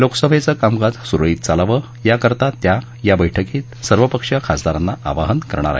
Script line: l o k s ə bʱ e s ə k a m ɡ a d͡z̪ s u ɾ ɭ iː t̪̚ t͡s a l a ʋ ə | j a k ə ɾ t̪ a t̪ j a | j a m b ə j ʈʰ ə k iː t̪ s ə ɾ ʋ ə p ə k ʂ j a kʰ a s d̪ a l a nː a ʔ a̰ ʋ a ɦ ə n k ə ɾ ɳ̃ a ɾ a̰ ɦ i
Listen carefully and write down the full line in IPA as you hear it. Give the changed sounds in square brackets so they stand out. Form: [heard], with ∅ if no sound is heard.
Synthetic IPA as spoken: l o k s ə bʱ e [t͡s] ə k a m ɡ a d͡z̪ s u ɾ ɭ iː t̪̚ t͡s a l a ʋ ə | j a k ə ɾ t̪ a t̪ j a | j a [∅] b ə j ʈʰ ə k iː t̪ s ə ɾ ʋ ə p ə k ʂ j a kʰ a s d̪ a [ɾ] a nː a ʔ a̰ ʋ a ɦ ə n k ə ɾ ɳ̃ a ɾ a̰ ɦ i